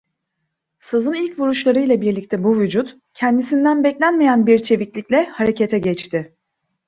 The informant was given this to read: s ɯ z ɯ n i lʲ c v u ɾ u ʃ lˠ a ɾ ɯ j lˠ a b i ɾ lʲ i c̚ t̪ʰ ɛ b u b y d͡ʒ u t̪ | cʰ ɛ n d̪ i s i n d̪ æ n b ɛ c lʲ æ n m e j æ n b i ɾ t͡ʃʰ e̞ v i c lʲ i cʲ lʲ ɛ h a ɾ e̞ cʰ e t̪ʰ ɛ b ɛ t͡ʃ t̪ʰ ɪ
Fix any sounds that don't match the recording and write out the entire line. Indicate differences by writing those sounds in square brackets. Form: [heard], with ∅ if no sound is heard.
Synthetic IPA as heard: s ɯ z ɯ n i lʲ c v u ɾ u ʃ lˠ a ɾ ɯ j lˠ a b i ɾ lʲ i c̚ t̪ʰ ɛ b u [v] y d͡ʒ u t̪ | cʰ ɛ n d̪ i s i n d̪ æ n b ɛ c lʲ æ n m e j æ n b i ɾ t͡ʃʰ e̞ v i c lʲ i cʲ lʲ ɛ h a ɾ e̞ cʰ e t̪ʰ ɛ [ɟ] ɛ t͡ʃ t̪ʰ ɪ